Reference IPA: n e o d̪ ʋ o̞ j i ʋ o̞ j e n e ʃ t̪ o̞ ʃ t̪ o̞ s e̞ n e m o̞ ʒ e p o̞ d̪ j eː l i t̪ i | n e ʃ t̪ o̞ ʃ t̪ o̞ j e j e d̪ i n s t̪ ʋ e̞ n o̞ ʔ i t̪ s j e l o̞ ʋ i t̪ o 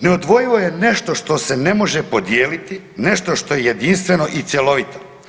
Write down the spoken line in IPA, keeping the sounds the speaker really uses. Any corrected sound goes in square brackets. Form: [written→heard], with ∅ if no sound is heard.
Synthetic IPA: n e o d̪ ʋ o̞ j i ʋ o̞ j e n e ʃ t̪ o̞ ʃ t̪ o̞ s e̞ n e m o̞ ʒ e p o̞ d̪ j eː l i t̪ i | n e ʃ t̪ o̞ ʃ t̪ o̞ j e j e d̪ i n s t̪ ʋ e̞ n o̞ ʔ i t̪ s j e l o̞ ʋ i t̪ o